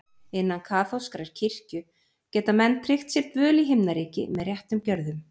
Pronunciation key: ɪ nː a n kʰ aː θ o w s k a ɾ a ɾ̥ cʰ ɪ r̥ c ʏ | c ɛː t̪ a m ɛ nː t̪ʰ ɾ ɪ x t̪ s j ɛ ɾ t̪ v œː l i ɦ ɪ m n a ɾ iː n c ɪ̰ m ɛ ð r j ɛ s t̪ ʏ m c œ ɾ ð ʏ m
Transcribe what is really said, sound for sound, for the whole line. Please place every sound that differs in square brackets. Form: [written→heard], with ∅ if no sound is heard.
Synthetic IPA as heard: ɪ nː a n kʰ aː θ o w s k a ɾ a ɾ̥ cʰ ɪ r̥ c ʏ | c ɛː t̪ a m ɛ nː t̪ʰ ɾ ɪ x t̪ s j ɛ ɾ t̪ v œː l i ɦ ɪ m n a ɾ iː [n→∅] c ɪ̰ m ɛ ð r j ɛ [s→h] t̪ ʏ m c œ ɾ ð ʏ m